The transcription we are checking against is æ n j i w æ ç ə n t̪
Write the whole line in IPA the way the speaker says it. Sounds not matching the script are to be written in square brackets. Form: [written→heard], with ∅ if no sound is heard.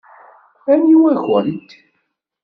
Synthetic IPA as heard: æ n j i w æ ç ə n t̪